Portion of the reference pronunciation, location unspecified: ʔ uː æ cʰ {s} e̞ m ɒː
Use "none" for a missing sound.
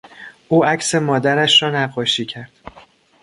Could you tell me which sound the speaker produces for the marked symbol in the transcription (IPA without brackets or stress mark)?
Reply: s